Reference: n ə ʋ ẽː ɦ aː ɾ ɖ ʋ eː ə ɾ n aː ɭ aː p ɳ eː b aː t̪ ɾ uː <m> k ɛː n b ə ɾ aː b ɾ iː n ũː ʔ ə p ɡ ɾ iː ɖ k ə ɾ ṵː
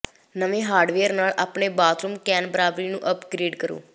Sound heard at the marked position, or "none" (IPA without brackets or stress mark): m